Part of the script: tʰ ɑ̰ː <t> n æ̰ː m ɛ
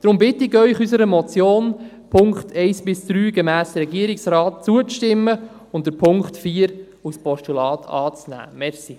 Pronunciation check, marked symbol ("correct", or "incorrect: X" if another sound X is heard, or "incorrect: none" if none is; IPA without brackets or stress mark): incorrect: t͡s